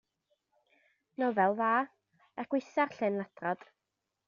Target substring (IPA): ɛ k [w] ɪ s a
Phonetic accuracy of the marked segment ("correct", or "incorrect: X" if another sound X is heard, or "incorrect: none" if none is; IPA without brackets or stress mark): correct